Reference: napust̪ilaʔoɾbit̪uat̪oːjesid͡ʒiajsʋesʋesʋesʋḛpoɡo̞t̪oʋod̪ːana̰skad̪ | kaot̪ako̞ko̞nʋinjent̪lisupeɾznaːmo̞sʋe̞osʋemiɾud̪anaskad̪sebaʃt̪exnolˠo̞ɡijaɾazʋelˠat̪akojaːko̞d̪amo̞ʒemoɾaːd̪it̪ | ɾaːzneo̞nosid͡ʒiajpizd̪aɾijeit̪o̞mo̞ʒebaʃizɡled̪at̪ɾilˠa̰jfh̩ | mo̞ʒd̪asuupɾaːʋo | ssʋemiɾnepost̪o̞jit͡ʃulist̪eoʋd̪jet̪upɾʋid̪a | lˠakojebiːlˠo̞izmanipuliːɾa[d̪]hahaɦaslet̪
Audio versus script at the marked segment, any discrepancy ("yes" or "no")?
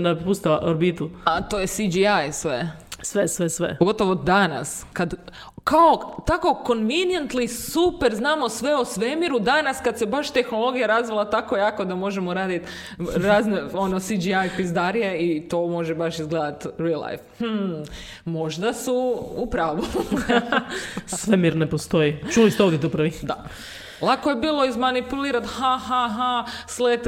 yes